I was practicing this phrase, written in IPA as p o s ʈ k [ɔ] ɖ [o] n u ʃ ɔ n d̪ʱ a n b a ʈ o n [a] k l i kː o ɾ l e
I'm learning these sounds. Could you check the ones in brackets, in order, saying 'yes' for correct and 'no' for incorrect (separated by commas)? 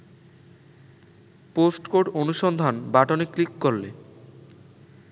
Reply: no, yes, no